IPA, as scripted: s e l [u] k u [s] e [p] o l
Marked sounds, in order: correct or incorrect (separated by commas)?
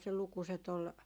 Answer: correct, correct, incorrect